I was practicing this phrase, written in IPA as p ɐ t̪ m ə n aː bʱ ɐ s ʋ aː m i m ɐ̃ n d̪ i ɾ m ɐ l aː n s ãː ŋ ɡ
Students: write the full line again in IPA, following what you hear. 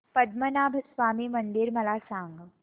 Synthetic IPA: p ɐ d̪ m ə n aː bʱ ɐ s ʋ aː m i m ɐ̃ n d̪ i ɾ m ɐ l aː s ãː ŋ ɡ